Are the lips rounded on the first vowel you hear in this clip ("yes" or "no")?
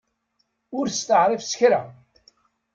yes